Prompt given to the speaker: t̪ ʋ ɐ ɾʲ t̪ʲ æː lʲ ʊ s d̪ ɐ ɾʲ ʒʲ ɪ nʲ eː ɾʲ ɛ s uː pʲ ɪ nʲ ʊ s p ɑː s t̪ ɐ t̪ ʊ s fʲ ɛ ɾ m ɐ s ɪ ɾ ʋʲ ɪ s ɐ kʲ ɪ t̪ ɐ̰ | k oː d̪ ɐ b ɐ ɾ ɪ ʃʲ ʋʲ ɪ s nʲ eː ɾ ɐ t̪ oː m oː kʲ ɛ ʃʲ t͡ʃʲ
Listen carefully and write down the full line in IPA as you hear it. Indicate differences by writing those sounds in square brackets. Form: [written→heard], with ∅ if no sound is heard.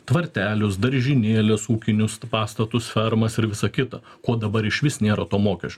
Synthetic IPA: t̪ ʋ ɐ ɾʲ t̪ʲ æː lʲ ʊ s d̪ ɐ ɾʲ ʒʲ ɪ nʲ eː [ɾʲ→lʲ] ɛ s uː [pʲ→kʲ] ɪ nʲ ʊ s p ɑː s t̪ ɐ t̪ ʊ s fʲ ɛ ɾ m ɐ s ɪ ɾ ʋʲ ɪ s ɐ kʲ ɪ t̪ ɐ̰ | k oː d̪ ɐ b ɐ ɾ ɪ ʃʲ ʋʲ ɪ s nʲ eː ɾ ɐ t̪ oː m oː kʲ ɛ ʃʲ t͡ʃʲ